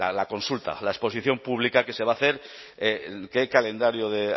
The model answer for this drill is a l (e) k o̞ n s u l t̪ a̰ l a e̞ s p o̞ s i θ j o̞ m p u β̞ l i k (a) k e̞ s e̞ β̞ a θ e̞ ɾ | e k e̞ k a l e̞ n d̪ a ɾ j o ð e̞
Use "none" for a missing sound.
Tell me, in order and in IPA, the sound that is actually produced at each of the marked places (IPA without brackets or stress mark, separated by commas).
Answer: a, a